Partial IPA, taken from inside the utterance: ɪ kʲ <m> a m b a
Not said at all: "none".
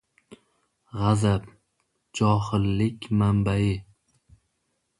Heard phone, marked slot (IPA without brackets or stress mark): m